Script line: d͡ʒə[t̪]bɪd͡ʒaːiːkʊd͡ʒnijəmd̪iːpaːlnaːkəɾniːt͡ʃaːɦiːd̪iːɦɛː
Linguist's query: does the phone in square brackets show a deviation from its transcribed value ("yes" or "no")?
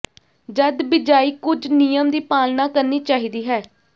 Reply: yes